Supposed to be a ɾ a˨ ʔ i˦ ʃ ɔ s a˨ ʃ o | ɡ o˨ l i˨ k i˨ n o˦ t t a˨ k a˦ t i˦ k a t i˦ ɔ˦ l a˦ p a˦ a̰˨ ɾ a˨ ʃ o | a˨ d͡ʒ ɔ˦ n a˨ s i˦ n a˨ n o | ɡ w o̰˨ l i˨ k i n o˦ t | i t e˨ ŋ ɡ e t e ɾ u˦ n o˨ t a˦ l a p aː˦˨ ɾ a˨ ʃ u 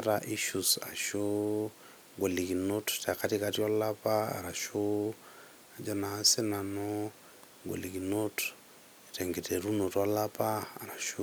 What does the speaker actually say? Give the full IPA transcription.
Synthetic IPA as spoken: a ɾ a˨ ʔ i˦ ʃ u s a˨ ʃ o | ɡ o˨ l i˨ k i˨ n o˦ t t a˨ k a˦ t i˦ k a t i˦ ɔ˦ l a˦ p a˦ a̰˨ ɾ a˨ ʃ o | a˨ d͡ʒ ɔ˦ n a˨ s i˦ n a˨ n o | ɡ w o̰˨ l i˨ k i n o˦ t | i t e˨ ŋ ɡ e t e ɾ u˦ n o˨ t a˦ l a p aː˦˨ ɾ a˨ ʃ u